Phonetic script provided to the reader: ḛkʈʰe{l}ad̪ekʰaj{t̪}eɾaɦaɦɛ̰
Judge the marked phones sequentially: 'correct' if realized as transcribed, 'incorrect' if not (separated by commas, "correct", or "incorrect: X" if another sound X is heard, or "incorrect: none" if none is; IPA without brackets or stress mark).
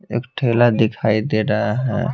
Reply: correct, incorrect: d̪